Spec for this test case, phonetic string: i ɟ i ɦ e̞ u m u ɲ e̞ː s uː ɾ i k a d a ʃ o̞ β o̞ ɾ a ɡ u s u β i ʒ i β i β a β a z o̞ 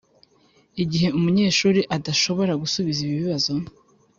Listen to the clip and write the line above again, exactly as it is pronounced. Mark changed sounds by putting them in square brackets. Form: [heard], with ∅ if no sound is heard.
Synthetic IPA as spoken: i ɟ i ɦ e̞ u m u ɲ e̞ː [ʃ] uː ɾ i [ʔ] a d a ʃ o̞ β o̞ ɾ a ɡ u s u β i [z] i β i β [i] β a z o̞